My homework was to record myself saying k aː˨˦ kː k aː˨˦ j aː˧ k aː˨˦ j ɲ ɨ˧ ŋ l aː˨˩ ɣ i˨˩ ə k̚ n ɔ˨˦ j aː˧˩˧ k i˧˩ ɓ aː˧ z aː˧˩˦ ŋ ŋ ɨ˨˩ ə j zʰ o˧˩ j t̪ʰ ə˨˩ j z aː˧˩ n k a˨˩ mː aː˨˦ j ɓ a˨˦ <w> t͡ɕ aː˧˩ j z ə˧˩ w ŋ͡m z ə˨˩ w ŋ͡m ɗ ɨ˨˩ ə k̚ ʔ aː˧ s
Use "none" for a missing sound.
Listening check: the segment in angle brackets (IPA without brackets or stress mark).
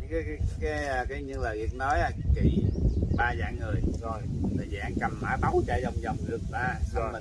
w